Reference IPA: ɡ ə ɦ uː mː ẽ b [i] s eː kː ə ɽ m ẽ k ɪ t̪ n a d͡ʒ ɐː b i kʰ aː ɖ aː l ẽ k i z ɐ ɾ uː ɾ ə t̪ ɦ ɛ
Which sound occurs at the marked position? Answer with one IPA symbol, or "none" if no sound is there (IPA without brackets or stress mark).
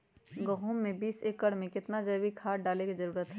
iː